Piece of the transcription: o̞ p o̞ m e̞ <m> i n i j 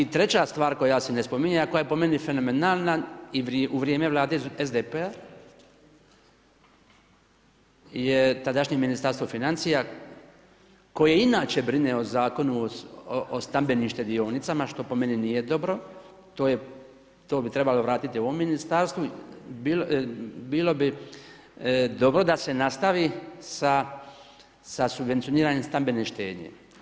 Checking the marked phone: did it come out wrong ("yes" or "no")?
yes